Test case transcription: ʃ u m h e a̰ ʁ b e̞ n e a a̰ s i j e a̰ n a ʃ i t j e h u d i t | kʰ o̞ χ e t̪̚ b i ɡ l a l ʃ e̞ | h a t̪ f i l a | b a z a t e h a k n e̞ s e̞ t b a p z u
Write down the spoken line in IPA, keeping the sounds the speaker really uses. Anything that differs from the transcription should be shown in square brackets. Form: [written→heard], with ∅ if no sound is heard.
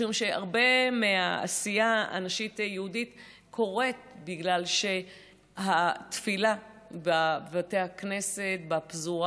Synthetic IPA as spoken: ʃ u m [h→ʃ] e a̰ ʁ b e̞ [n→m] e a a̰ s i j [e→a] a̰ n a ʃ i t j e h u d i t | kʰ o̞ [χ→ʁ] e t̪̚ b i ɡ l a l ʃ e̞ | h a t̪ f i l a | b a [z→v] a t e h a k n e̞ s e̞ t b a p z u